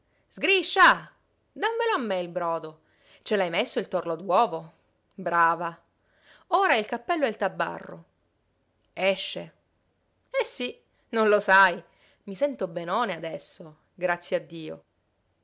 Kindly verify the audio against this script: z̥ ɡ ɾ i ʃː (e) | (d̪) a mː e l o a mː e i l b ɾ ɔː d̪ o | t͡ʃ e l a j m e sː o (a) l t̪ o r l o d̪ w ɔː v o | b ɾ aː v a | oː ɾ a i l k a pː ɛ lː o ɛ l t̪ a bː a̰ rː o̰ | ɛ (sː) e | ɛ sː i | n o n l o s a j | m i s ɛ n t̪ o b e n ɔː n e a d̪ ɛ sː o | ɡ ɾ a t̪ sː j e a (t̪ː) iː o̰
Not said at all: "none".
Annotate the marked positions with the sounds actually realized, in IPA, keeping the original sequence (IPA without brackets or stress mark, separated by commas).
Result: a, d̪, i, ʃː, d̪ː